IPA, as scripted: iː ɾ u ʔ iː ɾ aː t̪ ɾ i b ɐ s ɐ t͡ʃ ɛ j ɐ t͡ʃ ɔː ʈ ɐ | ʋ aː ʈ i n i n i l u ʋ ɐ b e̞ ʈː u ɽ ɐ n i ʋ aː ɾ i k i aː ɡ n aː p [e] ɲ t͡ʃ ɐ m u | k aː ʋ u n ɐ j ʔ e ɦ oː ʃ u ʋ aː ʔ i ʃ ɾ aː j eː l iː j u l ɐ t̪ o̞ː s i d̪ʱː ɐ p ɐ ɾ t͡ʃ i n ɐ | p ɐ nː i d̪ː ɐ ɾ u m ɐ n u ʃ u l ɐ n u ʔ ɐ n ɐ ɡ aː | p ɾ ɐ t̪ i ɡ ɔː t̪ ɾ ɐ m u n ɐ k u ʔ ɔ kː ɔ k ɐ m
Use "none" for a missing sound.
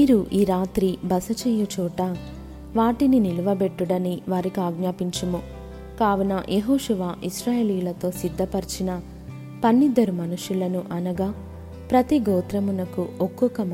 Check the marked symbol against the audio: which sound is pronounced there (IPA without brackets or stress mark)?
i